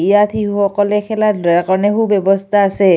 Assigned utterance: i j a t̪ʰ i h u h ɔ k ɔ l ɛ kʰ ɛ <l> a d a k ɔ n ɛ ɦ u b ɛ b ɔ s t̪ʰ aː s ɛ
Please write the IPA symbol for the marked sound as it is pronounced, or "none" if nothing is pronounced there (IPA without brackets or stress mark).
l